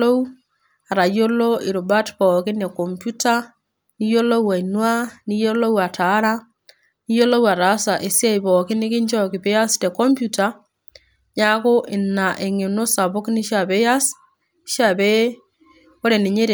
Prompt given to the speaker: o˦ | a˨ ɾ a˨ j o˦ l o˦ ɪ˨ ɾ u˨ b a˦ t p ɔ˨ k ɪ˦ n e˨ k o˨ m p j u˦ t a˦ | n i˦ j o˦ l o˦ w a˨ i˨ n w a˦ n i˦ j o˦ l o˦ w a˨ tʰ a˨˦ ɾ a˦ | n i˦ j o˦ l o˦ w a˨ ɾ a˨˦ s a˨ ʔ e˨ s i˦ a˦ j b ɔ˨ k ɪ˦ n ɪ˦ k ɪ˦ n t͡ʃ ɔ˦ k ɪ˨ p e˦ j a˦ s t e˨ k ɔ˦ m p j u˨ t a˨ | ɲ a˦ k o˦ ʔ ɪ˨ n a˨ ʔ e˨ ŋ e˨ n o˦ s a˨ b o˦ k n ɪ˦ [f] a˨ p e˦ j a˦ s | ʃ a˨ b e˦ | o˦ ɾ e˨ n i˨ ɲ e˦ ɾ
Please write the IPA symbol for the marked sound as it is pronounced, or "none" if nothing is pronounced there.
ʃ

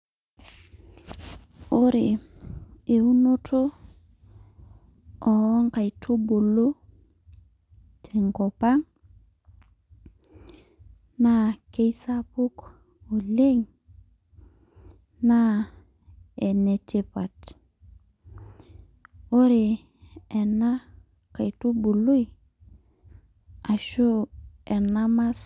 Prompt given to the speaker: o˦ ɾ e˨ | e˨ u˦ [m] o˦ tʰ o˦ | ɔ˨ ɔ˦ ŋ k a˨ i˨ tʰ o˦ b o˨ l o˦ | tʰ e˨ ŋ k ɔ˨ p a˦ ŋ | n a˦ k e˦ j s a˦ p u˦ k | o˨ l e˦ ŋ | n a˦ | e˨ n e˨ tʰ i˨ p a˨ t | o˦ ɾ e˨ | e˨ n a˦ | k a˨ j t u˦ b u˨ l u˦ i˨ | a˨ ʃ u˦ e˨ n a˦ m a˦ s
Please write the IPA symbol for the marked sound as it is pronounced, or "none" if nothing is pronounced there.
n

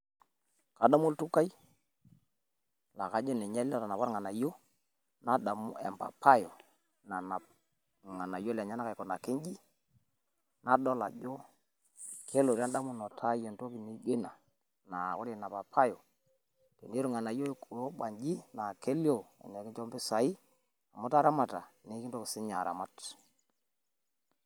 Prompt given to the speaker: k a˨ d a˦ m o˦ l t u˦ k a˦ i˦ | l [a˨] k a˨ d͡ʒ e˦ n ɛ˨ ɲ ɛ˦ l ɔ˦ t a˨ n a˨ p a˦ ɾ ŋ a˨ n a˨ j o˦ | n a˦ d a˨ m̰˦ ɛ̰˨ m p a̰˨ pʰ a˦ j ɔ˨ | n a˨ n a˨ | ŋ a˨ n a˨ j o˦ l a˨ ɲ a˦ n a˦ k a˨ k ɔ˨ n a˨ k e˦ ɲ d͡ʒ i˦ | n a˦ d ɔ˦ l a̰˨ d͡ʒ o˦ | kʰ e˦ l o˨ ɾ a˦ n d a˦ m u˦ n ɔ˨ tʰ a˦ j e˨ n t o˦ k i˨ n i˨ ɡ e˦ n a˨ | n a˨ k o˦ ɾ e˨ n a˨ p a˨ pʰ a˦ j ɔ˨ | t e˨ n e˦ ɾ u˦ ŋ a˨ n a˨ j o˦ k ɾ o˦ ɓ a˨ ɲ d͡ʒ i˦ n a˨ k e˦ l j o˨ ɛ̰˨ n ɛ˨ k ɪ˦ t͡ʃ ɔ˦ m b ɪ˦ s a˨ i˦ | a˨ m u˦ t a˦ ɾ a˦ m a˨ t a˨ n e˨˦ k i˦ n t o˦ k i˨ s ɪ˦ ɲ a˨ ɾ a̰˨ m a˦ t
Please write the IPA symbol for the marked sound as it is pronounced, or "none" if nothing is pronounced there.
a˨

